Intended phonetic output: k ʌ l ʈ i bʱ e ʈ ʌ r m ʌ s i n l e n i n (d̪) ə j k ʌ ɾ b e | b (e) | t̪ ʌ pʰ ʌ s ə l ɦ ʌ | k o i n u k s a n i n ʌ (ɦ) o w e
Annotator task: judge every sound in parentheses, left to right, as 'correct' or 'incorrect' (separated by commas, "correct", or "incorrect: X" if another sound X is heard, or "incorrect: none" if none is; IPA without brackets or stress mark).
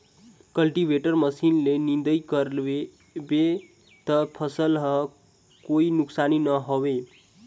correct, correct, correct